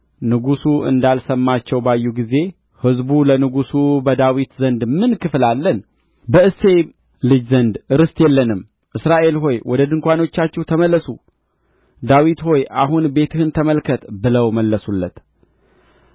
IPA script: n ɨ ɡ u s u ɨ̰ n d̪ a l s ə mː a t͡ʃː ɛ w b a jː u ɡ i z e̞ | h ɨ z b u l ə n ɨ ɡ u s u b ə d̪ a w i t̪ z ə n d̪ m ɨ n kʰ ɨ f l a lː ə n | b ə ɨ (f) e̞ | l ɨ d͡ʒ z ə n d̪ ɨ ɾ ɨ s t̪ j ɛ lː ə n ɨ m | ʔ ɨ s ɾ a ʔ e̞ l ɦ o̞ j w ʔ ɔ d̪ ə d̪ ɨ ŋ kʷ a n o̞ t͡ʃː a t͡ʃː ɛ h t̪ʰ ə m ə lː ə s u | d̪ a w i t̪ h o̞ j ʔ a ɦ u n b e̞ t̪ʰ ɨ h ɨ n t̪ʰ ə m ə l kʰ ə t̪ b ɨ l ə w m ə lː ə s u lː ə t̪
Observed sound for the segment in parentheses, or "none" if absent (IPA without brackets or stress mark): s